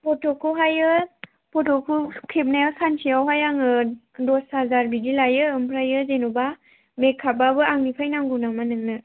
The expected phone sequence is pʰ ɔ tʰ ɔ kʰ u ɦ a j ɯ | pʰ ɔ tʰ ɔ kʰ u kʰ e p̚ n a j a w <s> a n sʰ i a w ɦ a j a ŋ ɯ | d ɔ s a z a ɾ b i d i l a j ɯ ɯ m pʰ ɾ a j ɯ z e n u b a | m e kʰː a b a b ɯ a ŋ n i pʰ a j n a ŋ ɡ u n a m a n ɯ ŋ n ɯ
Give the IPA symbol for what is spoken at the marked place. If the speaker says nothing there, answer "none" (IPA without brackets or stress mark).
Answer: s